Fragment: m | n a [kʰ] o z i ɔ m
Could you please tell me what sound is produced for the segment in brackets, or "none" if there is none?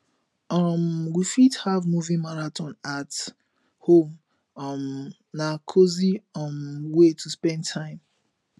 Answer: kʰ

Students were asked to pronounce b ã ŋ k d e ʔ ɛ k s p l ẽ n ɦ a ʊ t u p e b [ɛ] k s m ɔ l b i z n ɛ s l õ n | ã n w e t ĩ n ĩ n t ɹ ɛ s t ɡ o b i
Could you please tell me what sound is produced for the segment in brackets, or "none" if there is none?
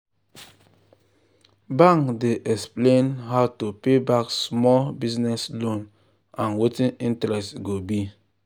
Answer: a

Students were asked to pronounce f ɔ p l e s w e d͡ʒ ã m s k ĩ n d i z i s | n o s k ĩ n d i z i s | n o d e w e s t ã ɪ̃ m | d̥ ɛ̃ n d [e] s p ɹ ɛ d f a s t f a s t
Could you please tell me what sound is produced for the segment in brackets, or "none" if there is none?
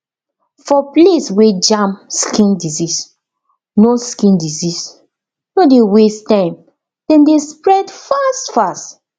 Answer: e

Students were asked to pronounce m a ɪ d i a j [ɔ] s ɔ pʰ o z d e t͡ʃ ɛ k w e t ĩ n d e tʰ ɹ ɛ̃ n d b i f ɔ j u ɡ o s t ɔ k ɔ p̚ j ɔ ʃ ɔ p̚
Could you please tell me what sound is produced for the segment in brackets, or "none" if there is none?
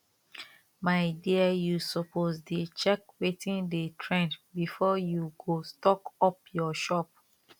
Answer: u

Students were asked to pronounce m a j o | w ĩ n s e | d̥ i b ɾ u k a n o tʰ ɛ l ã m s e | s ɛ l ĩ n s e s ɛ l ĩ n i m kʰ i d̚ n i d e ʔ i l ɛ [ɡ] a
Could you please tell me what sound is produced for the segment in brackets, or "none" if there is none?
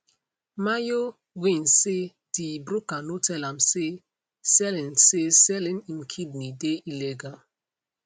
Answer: ɡ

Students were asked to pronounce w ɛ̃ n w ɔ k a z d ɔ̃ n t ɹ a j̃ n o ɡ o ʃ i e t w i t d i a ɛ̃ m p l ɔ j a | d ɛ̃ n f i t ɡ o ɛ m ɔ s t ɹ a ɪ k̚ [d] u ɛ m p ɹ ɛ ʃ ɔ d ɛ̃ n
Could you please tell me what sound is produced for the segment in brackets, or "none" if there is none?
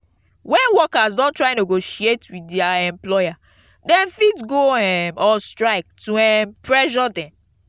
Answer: t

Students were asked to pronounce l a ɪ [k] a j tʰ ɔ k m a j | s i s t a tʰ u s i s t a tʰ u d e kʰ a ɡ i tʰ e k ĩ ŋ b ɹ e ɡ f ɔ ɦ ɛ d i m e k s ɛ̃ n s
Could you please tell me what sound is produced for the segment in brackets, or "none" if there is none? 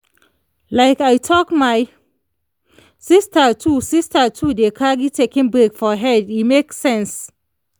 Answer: k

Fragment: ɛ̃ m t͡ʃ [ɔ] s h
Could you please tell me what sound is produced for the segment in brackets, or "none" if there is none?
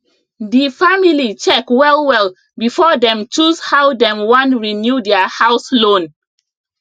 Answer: u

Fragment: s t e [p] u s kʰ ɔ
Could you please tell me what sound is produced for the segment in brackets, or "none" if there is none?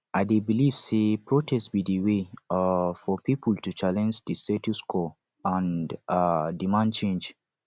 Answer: t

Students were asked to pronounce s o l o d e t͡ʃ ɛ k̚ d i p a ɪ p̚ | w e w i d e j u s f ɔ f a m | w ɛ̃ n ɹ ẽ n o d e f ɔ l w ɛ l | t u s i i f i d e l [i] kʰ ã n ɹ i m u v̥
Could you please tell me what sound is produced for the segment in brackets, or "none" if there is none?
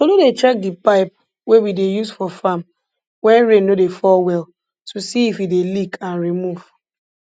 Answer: i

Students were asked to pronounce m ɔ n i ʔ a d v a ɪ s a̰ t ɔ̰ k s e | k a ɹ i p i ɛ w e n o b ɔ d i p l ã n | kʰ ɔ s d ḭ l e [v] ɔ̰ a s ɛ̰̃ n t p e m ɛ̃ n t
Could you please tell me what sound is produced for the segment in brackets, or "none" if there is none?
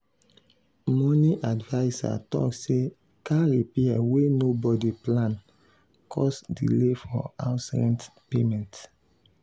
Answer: f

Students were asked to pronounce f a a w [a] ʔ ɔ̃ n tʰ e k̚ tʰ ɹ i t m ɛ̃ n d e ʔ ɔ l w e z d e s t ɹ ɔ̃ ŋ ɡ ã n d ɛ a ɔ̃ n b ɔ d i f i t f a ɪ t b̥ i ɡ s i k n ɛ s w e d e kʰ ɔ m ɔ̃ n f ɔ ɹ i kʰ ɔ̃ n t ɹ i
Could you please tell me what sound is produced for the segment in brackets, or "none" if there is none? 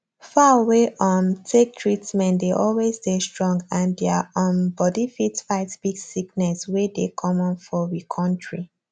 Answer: e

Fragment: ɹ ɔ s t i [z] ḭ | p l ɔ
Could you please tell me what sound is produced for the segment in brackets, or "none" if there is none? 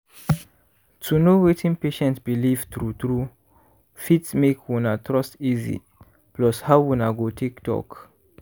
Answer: z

